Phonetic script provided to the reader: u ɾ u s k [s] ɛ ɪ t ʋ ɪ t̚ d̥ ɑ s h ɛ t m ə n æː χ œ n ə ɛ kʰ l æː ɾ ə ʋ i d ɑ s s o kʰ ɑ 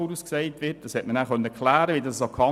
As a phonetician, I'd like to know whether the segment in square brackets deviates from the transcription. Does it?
no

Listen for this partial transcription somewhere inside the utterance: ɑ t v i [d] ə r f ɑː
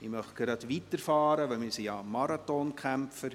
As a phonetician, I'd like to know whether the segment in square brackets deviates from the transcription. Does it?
yes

